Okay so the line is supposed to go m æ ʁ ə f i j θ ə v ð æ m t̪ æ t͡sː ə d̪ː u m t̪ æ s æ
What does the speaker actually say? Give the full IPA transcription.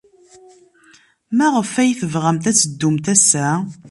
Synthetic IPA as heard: m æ ʁ ə f æ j θ ə v ʁ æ m t̪ æ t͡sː ə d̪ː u m t̪ æ s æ